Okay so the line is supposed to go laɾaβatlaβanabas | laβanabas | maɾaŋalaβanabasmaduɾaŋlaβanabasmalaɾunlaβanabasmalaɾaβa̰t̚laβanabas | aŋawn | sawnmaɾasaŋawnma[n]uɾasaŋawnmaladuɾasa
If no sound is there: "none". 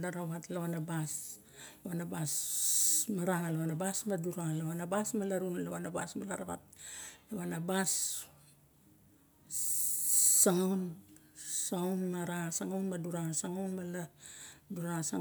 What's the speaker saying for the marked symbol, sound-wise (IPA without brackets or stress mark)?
d